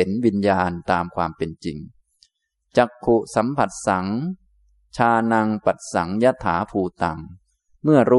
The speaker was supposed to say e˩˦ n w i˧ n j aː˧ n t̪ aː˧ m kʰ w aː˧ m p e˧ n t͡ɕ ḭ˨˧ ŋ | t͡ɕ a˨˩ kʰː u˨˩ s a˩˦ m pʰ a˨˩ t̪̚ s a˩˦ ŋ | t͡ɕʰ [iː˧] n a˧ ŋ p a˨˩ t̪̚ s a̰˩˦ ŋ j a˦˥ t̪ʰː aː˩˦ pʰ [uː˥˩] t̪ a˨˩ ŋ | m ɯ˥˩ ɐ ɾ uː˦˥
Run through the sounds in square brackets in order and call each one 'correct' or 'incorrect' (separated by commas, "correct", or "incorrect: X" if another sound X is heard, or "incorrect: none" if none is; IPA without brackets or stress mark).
incorrect: aː˧, incorrect: uː˧